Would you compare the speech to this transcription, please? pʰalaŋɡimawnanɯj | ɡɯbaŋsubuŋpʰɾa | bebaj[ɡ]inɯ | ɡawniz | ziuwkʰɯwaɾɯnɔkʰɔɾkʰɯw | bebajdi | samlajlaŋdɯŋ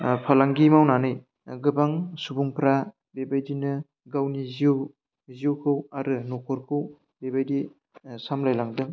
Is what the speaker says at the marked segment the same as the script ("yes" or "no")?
no